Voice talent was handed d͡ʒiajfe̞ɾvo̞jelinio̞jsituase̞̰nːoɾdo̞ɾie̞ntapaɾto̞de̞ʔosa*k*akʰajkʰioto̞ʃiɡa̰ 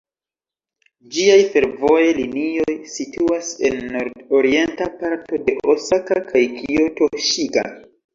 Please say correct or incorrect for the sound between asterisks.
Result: correct